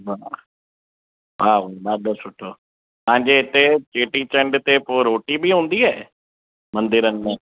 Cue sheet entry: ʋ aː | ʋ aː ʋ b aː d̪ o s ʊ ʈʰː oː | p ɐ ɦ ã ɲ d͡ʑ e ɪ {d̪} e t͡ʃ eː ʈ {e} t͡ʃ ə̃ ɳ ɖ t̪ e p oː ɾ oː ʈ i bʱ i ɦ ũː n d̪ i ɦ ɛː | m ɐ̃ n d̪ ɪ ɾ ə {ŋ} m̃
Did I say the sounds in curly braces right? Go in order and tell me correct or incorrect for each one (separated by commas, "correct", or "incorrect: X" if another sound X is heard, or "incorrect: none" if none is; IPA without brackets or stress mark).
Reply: incorrect: t̪, incorrect: i, incorrect: n